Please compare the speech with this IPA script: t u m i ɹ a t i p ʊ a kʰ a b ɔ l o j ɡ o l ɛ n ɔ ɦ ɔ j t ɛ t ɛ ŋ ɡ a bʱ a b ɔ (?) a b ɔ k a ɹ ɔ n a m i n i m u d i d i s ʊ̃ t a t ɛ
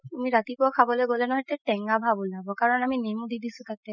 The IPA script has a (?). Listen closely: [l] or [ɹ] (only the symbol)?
l